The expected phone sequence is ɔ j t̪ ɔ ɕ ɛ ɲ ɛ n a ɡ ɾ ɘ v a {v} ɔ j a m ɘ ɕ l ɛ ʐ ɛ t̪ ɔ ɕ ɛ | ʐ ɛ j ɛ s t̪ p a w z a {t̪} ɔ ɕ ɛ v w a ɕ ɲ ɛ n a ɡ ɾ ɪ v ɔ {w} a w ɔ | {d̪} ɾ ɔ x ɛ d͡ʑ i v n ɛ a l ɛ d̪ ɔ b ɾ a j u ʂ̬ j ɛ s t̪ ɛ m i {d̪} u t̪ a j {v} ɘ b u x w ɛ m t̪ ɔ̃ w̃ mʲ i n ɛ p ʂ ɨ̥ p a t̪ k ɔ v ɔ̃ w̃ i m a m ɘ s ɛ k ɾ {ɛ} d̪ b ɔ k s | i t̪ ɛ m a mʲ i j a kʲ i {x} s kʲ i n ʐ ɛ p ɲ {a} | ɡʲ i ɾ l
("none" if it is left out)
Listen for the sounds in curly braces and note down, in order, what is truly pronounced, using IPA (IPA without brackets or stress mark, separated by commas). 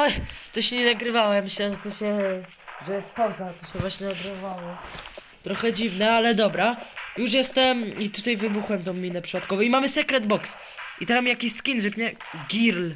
w, t̪, v, t̪, t̪, v, ɛ, ɕ, ɛ